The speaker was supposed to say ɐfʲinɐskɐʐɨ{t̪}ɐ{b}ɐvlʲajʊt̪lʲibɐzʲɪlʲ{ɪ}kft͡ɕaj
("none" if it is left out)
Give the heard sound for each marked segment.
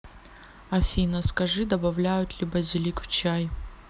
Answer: d̪, b, i

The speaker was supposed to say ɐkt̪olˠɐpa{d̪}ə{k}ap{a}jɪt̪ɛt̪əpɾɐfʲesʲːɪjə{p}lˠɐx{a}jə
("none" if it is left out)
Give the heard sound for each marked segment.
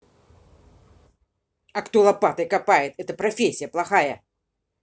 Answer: t̪, k, a, p, a

